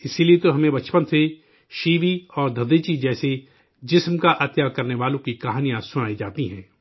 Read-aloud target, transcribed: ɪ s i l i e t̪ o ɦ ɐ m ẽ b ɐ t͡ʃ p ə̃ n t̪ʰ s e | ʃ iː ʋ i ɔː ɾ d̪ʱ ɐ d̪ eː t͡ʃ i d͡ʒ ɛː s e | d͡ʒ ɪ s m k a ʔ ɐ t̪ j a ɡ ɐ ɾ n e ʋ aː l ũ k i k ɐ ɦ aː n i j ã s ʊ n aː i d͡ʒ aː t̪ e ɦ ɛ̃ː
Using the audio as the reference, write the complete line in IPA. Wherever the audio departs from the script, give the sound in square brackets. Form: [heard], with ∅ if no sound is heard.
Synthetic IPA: ɪ s i l i e t̪ o ɦ ɐ m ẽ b ɐ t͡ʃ p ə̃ n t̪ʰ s e | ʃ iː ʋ i ɔː ɾ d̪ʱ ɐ d̪ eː t͡ʃ i d͡ʒ ɛː s e | d͡ʒ ɪ s m k a ʔ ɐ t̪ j a [k] ɐ ɾ n e ʋ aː l [õ] k i k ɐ ɦ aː n i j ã s ʊ n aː i d͡ʒ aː t̪ [i] ɦ ɛ̃ː